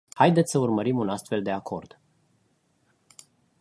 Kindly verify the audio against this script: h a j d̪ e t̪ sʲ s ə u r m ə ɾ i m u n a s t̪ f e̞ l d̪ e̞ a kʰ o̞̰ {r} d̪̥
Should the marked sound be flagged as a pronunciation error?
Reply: no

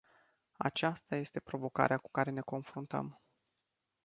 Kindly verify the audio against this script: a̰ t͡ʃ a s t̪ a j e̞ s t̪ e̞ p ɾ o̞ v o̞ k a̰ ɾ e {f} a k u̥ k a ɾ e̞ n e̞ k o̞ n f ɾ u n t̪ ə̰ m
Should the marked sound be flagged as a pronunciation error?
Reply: yes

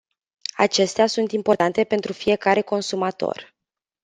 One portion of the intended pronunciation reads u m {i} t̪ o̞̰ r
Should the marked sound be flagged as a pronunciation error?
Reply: yes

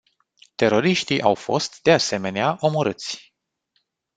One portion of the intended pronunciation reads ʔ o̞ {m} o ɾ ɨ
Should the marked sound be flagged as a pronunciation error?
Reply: no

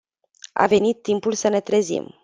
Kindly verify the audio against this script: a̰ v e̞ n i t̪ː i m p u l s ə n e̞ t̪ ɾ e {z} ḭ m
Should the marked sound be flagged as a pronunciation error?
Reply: no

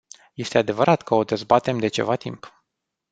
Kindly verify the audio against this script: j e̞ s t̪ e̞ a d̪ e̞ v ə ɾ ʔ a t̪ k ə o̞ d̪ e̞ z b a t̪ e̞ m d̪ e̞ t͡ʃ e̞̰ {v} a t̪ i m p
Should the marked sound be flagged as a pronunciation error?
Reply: no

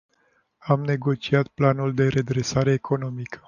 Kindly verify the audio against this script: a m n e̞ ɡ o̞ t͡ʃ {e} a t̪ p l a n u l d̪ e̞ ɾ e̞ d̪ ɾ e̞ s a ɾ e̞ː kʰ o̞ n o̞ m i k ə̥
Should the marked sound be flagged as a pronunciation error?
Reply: yes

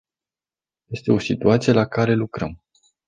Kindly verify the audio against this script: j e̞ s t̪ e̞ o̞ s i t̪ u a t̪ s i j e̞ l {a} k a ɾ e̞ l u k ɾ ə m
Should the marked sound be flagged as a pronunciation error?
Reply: no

